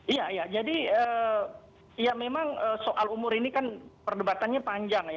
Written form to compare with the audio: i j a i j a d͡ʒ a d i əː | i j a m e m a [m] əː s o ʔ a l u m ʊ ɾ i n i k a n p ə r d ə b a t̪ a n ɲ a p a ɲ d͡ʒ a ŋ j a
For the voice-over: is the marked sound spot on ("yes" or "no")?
no